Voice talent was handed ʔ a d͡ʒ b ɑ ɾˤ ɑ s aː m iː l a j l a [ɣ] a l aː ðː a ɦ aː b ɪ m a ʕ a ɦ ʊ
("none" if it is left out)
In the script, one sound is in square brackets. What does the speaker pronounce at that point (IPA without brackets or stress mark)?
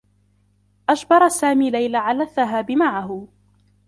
ʕ